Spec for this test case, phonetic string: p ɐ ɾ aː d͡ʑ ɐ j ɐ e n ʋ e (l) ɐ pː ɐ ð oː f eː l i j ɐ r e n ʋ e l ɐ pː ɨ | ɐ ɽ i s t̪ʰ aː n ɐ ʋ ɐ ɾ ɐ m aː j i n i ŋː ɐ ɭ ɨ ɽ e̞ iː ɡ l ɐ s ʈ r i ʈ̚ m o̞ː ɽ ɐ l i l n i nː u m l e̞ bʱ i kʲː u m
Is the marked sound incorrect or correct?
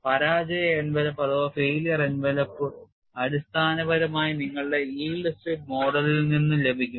correct